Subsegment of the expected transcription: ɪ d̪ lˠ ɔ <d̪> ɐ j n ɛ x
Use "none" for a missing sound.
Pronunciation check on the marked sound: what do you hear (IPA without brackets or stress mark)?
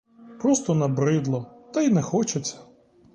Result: t̪